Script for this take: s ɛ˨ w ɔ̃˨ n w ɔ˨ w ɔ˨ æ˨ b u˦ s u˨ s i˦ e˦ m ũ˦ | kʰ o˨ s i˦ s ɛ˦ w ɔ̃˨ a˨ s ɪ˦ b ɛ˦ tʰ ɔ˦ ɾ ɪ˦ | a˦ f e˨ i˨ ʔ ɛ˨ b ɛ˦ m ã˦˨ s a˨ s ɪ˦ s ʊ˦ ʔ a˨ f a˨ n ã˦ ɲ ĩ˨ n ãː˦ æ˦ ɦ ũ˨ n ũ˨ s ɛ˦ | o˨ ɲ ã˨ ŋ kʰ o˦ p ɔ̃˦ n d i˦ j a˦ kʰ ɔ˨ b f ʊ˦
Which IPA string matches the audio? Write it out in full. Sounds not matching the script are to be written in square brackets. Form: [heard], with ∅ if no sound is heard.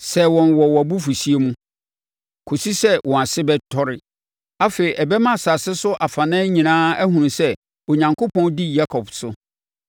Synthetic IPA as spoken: s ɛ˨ w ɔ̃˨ n w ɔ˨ w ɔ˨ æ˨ b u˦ [f] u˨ s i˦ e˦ m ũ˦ | kʰ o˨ s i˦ s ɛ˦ w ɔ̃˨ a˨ s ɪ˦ b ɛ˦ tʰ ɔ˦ ɾ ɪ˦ | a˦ f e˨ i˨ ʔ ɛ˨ b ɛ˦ m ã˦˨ s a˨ s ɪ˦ s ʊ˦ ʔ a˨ f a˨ n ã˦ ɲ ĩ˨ n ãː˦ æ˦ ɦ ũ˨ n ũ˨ s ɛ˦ | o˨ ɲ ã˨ ŋ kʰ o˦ p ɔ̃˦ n d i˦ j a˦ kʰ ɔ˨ b [s] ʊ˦

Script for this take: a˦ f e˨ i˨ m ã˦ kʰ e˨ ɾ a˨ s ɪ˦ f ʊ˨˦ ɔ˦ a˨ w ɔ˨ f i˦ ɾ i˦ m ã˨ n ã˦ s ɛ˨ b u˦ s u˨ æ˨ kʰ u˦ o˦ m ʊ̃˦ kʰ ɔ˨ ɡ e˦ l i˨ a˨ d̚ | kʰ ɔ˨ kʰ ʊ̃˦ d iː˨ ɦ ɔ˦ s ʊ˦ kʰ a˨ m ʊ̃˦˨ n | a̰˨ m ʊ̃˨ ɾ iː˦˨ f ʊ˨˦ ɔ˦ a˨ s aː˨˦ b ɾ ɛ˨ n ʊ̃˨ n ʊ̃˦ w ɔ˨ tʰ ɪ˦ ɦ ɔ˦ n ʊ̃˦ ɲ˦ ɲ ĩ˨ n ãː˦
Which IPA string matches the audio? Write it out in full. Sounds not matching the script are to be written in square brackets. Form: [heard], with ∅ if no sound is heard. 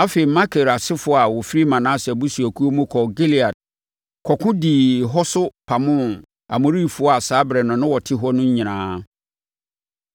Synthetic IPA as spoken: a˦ f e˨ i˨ m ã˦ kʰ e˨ ɾ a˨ s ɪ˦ f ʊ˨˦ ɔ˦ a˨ w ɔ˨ f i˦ ɾ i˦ m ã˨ n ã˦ s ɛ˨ b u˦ s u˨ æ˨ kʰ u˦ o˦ m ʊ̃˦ kʰ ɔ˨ ɡ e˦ l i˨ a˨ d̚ | kʰ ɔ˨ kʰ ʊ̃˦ d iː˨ ɦ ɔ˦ s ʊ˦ [pʰ] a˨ m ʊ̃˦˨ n | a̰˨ m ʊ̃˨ ɾ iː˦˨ f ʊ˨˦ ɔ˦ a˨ s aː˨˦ b ɾ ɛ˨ n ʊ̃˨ n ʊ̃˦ w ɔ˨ tʰ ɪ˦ ɦ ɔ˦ n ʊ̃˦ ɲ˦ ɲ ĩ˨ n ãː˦

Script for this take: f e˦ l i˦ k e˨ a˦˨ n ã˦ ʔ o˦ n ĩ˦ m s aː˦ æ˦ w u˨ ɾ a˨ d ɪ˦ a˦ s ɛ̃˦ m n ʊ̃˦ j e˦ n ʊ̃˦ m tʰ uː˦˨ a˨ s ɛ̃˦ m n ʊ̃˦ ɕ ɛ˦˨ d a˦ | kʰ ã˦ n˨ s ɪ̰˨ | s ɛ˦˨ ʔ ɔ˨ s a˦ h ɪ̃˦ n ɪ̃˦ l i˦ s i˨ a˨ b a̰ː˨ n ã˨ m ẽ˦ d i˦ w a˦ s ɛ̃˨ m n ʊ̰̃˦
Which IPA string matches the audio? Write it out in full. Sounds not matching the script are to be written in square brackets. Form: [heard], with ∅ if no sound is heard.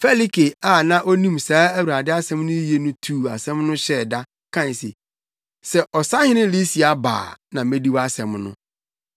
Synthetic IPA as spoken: f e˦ l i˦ k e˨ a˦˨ n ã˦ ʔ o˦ n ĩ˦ m s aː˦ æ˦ w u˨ ɾ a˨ d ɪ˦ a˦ s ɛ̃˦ m n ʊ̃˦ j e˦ n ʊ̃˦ [∅] tʰ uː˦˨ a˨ s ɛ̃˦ m n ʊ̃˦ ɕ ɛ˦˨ d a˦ | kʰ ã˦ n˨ s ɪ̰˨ | s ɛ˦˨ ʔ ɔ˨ s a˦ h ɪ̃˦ n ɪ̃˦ l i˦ s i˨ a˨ b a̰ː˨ n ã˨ m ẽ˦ d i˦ w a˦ s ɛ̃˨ m n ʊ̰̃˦

